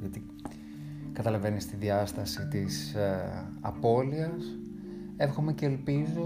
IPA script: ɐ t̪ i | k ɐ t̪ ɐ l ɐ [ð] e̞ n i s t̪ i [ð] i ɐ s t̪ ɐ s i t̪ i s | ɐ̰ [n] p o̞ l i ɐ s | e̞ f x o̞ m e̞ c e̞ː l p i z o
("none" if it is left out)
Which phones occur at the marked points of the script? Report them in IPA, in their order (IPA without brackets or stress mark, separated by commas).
v, ð, none